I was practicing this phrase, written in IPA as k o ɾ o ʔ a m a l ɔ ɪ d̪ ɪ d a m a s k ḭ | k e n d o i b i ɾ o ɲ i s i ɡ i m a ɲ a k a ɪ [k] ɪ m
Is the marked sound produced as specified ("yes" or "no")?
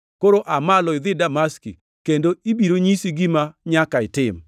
no